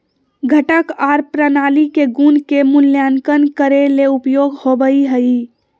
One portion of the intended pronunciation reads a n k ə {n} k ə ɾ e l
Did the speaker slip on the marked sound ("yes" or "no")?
no